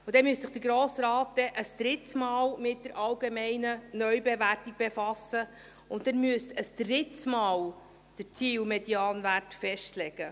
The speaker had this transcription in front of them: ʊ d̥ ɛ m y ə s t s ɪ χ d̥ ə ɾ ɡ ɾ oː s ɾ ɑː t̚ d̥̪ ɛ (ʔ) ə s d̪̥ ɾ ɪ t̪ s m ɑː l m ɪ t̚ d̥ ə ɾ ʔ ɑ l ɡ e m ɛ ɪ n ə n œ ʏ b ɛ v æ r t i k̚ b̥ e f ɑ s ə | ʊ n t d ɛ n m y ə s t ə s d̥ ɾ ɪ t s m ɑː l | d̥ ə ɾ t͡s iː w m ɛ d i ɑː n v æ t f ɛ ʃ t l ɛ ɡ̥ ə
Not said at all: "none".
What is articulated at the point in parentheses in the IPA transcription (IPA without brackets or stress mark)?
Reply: ʔ